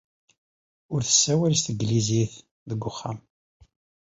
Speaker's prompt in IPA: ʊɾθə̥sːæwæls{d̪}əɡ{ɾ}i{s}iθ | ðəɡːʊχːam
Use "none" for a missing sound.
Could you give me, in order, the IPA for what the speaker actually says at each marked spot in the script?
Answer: t̪, l, z

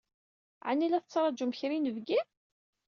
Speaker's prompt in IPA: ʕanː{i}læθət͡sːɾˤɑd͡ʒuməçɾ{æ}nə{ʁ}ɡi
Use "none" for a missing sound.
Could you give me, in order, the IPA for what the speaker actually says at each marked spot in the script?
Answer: i, i, v

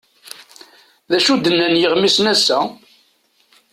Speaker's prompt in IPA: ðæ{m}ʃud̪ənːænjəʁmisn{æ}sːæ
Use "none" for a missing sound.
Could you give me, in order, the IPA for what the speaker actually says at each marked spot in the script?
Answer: none, æ

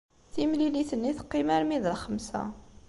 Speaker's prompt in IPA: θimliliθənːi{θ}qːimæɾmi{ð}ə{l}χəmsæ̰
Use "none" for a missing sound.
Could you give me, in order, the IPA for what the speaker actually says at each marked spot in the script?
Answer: θ, ð, l

